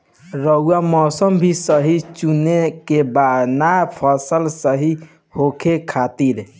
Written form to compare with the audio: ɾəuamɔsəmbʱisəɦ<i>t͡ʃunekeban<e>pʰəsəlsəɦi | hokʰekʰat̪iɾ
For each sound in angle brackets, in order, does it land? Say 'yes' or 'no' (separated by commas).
yes, no